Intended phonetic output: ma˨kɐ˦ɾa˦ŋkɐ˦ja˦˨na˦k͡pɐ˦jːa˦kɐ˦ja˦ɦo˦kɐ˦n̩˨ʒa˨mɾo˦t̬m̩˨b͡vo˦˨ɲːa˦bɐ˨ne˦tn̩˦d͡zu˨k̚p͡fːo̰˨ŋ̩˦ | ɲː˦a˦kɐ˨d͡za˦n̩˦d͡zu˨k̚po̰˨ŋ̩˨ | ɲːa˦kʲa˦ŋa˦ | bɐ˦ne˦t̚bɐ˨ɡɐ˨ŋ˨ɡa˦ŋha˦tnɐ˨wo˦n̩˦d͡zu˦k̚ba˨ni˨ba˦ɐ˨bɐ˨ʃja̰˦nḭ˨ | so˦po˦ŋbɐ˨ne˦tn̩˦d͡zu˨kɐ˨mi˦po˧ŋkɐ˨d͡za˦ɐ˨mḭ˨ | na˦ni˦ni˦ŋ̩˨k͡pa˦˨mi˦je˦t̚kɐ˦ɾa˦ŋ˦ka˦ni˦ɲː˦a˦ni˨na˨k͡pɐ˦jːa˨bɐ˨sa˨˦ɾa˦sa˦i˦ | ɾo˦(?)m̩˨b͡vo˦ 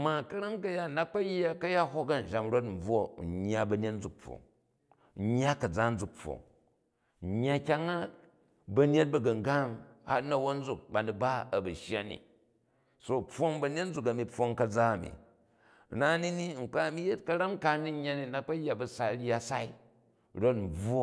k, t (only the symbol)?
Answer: t